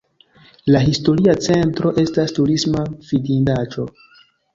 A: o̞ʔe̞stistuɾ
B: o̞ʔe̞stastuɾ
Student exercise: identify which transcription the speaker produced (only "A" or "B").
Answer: B